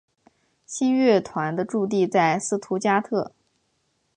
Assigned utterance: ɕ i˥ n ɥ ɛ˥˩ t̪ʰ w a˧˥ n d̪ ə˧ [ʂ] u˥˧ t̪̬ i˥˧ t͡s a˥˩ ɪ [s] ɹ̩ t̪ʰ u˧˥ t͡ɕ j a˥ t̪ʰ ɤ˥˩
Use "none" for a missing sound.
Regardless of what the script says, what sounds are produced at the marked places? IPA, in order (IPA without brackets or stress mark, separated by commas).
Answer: ʈ͡ʂ, s